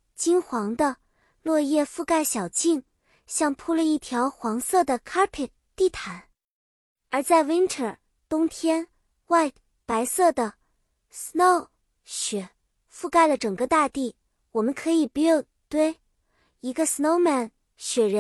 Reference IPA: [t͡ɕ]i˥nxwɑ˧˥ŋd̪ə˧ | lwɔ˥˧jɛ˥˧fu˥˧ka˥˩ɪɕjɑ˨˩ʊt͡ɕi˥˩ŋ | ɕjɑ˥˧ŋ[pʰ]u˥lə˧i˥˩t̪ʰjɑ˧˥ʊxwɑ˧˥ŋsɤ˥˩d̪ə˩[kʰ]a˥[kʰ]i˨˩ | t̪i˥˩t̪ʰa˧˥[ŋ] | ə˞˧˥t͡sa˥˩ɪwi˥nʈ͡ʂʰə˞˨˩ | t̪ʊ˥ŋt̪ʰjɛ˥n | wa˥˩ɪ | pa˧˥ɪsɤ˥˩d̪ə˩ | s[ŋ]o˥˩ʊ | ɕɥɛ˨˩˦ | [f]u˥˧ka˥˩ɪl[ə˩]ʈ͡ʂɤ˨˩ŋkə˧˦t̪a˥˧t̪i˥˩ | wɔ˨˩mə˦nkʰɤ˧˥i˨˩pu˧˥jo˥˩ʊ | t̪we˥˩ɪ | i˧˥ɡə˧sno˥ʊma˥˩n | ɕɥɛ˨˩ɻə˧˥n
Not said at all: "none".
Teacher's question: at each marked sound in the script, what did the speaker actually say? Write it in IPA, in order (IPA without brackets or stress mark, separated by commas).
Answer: t͡ɕ, pʰ, kʰ, pʰ, n, n, f, ə˩